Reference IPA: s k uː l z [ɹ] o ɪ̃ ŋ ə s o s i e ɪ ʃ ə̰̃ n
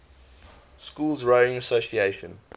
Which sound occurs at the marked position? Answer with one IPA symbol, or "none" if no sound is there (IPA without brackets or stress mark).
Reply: ɹ